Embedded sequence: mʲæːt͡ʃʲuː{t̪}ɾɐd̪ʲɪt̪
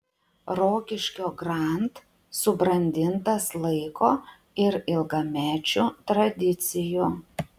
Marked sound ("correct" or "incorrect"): correct